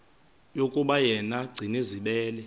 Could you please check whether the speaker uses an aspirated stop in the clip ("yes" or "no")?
no